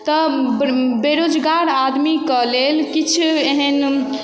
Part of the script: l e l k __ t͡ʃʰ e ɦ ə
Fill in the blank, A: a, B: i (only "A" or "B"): B